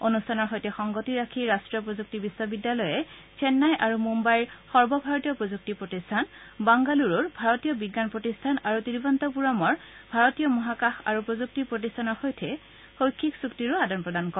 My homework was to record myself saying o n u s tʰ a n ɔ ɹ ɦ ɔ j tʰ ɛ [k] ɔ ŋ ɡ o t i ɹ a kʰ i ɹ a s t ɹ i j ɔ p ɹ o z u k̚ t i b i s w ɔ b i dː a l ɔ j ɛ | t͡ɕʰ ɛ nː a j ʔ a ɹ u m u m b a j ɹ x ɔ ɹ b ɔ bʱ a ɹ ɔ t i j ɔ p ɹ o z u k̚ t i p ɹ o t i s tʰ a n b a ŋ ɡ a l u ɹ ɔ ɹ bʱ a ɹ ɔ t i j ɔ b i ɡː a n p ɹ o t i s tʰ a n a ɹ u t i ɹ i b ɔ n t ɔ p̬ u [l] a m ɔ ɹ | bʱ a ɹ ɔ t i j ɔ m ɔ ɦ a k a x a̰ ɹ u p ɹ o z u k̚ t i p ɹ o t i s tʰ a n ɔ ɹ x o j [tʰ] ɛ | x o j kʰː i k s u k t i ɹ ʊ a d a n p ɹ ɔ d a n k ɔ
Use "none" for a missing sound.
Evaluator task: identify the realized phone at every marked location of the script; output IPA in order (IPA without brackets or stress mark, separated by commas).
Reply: x, ɹ, tʰ